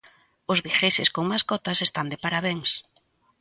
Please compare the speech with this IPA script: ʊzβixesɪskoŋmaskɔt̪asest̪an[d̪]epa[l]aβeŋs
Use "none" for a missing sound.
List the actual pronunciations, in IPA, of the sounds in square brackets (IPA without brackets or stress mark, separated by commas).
d̪, ɾ